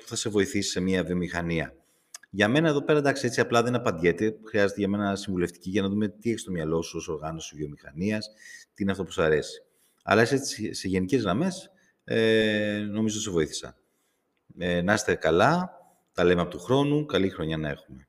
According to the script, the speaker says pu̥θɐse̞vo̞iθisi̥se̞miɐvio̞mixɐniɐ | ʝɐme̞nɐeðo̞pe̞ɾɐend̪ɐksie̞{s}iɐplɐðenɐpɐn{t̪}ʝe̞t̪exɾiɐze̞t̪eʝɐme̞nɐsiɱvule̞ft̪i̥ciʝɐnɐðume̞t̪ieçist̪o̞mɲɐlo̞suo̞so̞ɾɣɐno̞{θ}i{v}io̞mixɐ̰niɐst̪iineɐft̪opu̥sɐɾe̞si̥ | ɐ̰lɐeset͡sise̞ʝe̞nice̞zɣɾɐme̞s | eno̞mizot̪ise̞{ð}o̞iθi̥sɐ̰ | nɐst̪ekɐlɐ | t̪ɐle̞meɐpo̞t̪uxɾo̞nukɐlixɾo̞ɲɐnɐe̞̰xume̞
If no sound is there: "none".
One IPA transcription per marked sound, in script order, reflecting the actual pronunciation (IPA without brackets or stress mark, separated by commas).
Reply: t͡s, d̪, s, v, v